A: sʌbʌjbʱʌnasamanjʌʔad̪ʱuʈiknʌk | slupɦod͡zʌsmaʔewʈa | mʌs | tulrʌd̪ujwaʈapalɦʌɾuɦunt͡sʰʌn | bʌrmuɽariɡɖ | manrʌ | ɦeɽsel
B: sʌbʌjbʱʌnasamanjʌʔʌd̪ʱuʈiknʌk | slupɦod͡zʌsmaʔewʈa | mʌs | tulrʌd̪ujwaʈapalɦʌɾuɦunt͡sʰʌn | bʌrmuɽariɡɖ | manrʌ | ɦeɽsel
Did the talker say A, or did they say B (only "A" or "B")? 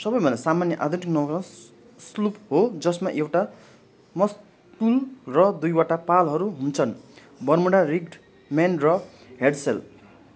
A